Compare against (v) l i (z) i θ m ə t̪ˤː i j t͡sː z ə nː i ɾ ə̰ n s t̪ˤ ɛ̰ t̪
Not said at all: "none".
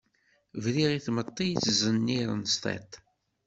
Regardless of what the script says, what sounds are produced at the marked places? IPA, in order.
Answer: v, ʁ

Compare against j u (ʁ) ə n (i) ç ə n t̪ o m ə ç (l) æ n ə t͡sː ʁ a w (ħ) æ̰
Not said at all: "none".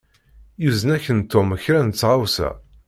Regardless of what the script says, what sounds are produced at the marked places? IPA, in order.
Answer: z, æ, ɾ, s

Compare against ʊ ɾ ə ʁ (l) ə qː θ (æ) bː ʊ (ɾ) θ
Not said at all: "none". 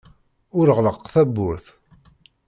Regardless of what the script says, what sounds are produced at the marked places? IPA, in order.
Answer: l, æ, ɾ

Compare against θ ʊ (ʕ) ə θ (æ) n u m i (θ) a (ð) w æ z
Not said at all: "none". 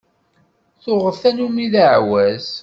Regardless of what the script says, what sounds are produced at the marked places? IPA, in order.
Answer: ʁ, æ, ð, ʕ

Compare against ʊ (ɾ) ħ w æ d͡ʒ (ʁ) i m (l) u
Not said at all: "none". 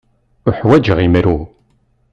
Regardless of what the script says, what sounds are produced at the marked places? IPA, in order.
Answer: none, ʁ, ɾ

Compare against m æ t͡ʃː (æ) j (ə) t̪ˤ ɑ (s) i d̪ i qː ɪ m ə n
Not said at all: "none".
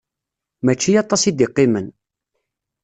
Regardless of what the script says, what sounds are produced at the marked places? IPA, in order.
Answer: i, ɑ, s

